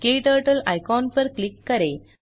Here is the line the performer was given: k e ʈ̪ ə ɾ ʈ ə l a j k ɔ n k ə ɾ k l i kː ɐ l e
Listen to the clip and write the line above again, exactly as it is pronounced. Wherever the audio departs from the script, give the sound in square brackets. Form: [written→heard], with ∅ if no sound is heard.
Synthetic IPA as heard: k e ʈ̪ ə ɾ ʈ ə l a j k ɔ n [k→p] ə ɾ k l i kː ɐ [l→ɾ] e